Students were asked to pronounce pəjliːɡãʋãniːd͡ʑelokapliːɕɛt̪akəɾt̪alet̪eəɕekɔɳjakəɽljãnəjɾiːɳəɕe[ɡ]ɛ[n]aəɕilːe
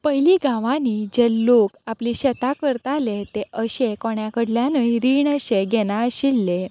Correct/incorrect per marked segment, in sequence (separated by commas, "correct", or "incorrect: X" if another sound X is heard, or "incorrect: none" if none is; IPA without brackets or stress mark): correct, correct